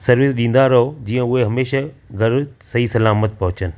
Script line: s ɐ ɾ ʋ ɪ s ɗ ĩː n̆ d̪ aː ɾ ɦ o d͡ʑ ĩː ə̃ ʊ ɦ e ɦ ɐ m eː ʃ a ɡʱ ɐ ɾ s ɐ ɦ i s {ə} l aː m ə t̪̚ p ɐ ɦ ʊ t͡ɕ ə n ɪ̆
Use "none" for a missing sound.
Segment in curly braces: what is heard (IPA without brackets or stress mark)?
ɐ